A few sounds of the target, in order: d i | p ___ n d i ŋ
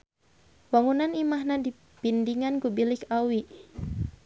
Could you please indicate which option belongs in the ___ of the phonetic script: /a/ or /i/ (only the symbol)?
i